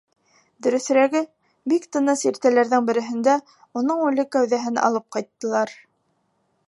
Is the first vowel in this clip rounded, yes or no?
yes